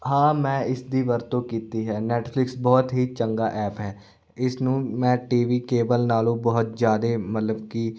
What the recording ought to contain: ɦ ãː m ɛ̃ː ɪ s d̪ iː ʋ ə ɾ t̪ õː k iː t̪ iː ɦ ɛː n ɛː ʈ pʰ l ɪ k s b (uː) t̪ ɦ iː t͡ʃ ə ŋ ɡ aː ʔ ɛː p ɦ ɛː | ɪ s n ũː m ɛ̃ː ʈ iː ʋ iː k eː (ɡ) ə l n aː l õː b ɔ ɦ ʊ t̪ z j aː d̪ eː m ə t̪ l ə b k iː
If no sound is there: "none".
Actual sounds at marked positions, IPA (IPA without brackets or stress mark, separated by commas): ɔː, b